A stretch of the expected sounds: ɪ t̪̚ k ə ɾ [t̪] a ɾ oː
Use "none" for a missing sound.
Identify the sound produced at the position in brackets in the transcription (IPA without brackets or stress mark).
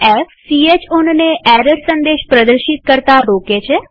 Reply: t̪